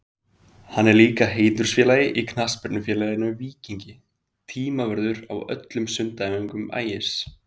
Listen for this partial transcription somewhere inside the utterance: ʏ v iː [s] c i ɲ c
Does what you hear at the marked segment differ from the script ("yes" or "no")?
yes